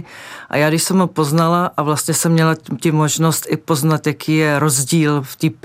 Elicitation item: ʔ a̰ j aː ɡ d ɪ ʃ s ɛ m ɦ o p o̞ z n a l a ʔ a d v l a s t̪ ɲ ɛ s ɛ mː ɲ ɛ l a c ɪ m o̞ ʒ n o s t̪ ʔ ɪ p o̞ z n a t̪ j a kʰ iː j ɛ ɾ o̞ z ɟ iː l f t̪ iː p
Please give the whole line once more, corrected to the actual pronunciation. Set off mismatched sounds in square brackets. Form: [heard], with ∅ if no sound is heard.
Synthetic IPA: ʔ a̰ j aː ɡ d ɪ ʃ s ɛ m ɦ o p o̞ z n a l a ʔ a [∅] v l a s t̪ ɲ ɛ s ɛ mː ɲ ɛ l a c ɪ m o̞ ʒ n o s t̪ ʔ ɪ p o̞ z n a t̪ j a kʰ iː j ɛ ɾ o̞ z ɟ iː l f t̪ iː p